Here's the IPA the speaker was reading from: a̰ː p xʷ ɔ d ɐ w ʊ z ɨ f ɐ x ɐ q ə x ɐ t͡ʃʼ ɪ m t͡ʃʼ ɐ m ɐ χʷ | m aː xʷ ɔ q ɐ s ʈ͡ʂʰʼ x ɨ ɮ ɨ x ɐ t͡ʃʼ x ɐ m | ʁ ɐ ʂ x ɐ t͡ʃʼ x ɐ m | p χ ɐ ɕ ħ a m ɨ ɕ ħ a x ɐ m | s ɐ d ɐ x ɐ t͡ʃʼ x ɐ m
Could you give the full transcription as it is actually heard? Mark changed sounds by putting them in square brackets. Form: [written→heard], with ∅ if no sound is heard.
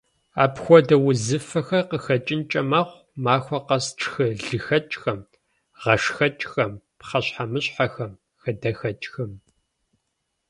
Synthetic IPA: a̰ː p xʷ ɔ d ɐ w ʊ z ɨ f ɐ x ɐ q ə x ɐ t͡ʃʼ ɪ [m→n] t͡ʃʼ ɐ m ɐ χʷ | m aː xʷ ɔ q ɐ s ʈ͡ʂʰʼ x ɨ ɮ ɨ x ɐ t͡ʃʼ x ɐ m | ʁ ɐ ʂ x ɐ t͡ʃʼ x ɐ m | p χ ɐ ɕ ħ a m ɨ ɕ ħ a x ɐ m | [s→x] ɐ d ɐ x ɐ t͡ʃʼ x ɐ m